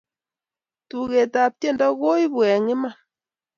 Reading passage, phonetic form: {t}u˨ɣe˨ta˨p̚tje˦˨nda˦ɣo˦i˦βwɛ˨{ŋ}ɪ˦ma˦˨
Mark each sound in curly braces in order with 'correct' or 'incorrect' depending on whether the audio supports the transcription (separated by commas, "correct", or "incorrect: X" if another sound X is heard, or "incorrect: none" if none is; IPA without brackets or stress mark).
correct, correct